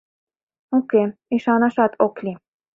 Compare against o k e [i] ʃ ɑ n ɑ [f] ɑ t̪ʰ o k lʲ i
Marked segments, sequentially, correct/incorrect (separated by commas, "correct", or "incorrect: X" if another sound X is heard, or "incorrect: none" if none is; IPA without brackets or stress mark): correct, incorrect: ʃ